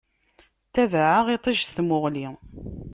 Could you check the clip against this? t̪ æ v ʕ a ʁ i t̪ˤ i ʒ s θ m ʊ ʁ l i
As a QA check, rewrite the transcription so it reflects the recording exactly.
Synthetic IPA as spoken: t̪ æ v ʕ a ʁ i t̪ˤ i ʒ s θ m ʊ ʁ l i